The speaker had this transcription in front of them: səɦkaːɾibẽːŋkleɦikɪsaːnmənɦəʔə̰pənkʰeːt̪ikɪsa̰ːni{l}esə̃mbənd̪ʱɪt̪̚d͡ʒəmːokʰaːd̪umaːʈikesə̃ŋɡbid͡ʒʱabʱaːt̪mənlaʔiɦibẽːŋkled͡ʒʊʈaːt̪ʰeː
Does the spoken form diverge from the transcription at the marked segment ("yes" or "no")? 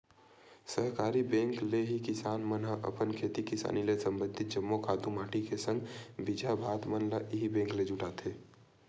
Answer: no